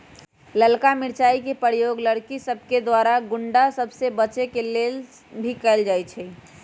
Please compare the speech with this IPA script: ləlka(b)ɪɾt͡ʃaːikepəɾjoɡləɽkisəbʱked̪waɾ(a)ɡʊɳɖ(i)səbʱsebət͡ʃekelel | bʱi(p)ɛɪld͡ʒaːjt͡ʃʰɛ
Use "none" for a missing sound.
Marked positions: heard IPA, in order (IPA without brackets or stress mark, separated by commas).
m, a, a, k